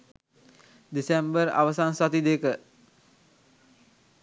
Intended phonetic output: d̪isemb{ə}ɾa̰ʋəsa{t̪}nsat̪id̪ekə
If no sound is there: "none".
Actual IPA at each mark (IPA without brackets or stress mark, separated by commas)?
ə, none